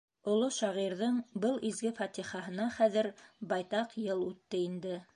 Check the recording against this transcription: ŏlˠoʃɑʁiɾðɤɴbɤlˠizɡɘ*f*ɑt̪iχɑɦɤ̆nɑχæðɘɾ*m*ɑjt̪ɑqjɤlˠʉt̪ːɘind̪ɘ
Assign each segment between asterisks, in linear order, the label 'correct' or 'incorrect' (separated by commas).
correct, incorrect